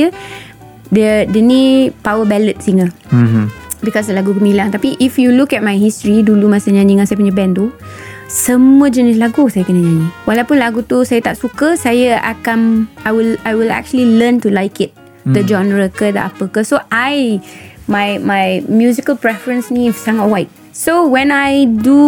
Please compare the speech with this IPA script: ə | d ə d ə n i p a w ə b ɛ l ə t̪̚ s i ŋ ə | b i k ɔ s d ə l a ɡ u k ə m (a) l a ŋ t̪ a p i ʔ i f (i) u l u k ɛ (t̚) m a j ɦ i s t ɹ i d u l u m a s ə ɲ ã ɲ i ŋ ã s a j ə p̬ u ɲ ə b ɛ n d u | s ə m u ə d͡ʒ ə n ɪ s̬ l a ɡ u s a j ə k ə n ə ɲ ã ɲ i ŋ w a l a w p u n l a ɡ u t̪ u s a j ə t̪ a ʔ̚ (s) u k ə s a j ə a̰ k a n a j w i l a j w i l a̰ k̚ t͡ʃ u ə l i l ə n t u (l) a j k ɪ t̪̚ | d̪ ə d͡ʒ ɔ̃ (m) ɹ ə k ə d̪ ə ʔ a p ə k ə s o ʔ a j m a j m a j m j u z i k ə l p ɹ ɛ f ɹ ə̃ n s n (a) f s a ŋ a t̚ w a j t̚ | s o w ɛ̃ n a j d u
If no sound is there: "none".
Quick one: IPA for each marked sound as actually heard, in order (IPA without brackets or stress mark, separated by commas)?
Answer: i, j, t̚, s, l, n, i